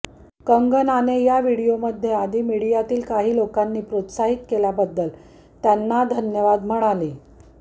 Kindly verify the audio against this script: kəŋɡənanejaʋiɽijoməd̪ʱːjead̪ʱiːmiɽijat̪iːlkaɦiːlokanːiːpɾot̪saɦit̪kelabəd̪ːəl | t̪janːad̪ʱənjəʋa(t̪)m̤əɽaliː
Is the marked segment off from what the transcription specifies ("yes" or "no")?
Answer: yes